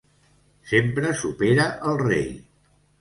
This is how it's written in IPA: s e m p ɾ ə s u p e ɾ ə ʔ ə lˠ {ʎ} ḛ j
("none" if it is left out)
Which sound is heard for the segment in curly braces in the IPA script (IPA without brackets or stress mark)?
r